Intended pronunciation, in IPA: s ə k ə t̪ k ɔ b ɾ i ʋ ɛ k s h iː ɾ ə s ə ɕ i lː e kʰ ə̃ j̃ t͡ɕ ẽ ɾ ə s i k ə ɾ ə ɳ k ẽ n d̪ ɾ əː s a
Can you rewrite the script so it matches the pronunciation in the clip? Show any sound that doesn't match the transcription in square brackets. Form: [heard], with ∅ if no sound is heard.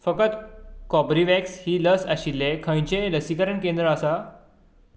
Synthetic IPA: [f] ə k ə t̪ k ɔ b ɾ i ʋ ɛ k s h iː [l] ə s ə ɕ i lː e kʰ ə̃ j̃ t͡ɕ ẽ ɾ ə s i k ə ɾ ə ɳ k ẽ n d̪ ɾ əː s a